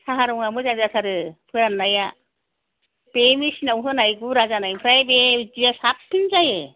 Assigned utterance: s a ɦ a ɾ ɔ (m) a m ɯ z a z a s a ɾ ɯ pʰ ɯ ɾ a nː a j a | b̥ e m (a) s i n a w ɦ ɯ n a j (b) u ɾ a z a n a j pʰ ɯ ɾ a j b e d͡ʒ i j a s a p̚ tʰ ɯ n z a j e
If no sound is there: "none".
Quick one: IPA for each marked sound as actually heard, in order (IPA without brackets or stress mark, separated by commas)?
ŋ, i, ɡ